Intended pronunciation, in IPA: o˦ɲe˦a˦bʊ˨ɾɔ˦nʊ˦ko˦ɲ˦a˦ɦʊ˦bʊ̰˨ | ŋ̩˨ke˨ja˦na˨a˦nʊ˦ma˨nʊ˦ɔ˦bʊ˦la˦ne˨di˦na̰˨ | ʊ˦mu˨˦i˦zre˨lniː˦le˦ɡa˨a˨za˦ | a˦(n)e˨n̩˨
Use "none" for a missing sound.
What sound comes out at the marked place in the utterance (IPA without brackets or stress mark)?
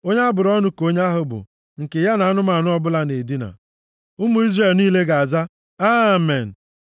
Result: m